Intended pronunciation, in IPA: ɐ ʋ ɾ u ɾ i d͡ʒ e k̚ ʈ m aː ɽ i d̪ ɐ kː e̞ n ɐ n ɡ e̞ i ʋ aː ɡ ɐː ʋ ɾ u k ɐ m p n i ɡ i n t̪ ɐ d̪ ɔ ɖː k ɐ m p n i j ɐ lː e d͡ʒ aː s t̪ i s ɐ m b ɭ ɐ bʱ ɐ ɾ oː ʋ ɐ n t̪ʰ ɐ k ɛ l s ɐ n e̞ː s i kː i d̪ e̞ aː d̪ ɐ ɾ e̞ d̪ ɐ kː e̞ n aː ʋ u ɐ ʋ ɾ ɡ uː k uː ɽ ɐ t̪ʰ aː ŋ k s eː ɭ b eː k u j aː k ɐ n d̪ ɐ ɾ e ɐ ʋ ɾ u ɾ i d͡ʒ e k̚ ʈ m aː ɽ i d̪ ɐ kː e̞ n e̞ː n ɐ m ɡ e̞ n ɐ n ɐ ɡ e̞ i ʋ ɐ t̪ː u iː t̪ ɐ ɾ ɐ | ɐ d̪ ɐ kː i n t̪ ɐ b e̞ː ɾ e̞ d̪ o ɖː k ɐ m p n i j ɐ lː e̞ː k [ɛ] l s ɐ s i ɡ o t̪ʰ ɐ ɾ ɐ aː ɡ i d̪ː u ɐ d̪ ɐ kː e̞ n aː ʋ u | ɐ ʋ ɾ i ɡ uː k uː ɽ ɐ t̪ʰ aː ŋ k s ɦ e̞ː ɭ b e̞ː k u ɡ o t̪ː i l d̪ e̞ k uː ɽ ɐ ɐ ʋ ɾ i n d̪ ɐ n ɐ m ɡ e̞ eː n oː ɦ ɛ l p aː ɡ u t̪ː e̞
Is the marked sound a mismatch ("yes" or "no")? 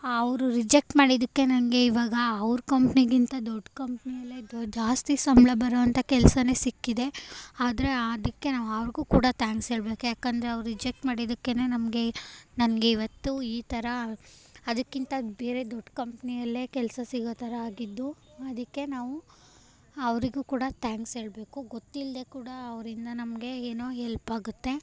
no